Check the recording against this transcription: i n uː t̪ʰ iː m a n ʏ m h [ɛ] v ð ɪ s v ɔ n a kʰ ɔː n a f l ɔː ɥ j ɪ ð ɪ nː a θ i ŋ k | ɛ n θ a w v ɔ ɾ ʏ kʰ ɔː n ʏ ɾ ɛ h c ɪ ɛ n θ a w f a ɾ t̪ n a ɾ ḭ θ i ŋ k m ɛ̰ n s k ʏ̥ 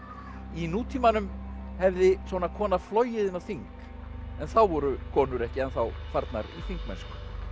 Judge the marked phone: correct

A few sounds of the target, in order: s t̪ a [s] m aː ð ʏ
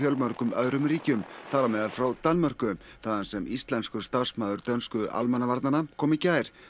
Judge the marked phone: correct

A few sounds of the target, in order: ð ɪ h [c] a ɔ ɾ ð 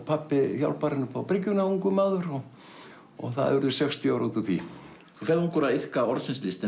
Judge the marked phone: incorrect: k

